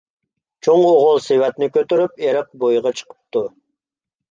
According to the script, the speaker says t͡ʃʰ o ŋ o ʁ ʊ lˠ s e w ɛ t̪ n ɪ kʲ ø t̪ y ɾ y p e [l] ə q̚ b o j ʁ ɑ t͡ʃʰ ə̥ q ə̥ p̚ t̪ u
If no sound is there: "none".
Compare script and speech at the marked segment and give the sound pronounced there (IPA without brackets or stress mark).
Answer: ɾ